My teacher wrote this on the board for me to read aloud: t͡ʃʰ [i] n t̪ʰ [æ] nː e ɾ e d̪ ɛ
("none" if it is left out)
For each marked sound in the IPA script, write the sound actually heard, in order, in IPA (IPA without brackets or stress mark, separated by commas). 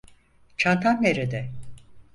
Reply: a, a